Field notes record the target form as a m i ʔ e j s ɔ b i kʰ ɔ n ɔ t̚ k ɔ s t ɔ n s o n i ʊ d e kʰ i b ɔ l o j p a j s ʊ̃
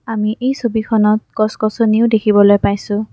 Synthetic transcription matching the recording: a m i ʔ e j s o b i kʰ ɔ n ɔ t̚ k ɔ s k ɔ s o n i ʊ d e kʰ i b ɔ l o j p a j s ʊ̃

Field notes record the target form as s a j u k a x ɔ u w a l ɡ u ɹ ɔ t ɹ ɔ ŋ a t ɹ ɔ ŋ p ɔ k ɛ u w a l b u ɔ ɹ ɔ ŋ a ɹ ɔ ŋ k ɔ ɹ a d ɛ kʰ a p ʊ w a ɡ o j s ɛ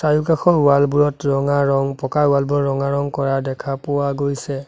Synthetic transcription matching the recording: s a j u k a x ɔ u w a l b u ɹ ɔ t ɹ ɔ ŋ a ɹ ɔ ŋ p ɔ k a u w a l b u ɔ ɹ ɔ ŋ a ɹ ɔ ŋ k ɔ ɹ a d ɛ kʰ a p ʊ w a ɡ o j s ɛ

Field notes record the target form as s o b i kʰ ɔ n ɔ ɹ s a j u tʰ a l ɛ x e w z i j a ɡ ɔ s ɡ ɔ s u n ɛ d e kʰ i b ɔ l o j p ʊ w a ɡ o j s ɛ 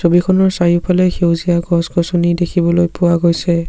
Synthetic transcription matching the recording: s o b i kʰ ɔ n ɔ ɹ s a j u pʰ a l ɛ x e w z i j a ɡ ɔ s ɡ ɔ s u n i d e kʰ i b ɔ l o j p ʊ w a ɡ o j s ɛ

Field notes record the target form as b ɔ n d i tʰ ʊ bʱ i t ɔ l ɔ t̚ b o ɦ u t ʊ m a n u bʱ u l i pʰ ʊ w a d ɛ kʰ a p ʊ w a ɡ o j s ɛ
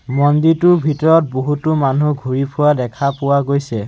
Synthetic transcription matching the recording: m ɔ n d i t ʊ bʱ i t ɔ ɹ ɔ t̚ b o ɦ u t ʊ m a n u ɡʱ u ɹ i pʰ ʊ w a d ɛ kʰ a p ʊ w a ɡ o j s ɛ

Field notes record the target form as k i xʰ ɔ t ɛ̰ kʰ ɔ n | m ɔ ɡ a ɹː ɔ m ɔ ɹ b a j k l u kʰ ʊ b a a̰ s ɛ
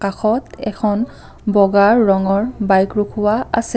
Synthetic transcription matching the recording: k a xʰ ɔ t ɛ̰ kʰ ɔ n | b ɔ ɡ a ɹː ɔ ŋ ɔ ɹ b a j k ɹ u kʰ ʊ w a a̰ s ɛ

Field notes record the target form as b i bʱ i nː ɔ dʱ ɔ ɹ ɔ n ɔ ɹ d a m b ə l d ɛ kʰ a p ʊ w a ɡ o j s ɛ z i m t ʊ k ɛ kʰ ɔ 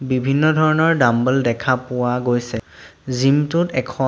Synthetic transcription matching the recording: b i bʱ i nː ɔ dʱ ɔ ɹ ɔ n ɔ ɹ d a m b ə l d ɛ kʰ a p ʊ w a ɡ o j s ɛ z i m t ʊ t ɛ kʰ ɔ

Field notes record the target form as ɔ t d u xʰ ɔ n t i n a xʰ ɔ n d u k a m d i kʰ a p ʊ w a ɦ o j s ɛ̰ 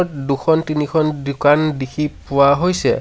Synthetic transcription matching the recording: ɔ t d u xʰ ɔ n t i n i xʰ ɔ n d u k a n d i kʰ i p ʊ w a ɦ o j s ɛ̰

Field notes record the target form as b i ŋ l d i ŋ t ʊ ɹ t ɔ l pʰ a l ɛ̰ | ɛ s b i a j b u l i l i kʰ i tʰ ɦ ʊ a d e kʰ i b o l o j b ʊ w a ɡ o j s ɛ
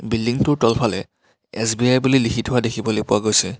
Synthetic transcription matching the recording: b i l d i ŋ t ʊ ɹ t ɔ l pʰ a l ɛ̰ | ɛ s b i a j b u l i l i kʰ i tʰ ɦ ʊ a d e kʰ i b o l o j p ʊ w a ɡ o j s ɛ

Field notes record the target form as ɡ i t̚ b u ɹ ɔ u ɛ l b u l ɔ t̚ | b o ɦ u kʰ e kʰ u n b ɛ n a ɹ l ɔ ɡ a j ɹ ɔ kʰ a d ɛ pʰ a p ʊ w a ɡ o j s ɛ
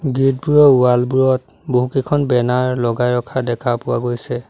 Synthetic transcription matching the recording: ɡ i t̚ b u ɹ ɔ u a l b u ɹ ɔ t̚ | b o ɦ u k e kʰ ɔ n b ɛ n a ɹ l ɔ ɡ a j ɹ ɔ kʰ a d ɛ kʰ a p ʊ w a ɡ o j s ɛ

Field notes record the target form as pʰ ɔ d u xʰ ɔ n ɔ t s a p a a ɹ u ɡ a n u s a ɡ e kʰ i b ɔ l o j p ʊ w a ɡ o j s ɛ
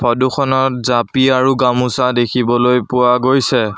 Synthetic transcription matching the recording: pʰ ɔ d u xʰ ɔ n ɔ t z a p i a ɹ u ɡ a m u s a d e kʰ i b ɔ l o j p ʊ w a ɡ o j s ɛ

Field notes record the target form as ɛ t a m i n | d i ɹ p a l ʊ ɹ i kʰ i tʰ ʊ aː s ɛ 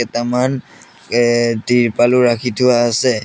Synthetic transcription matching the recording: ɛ t a m a n | d i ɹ p a l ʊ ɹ a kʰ i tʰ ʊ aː s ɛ

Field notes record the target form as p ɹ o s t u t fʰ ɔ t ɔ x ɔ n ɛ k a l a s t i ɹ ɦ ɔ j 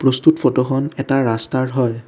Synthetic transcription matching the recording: p ɹ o s t u t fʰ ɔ t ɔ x ɔ n ɛ t a ɹ a s t a ɹ ɦ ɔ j

